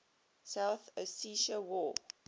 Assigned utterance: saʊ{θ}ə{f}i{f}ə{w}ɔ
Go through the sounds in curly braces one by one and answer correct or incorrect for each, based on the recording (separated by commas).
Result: correct, incorrect, incorrect, correct